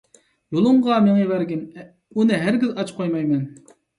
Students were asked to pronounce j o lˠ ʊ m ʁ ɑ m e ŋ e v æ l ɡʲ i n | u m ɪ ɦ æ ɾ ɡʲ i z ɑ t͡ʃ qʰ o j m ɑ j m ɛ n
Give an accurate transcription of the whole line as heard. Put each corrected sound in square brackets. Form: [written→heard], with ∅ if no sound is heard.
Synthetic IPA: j o lˠ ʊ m ʁ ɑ m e ŋ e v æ [l→ɾ] ɡʲ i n | u [m→n] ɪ ɦ æ ɾ ɡʲ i z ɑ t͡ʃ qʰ o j m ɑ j m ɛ n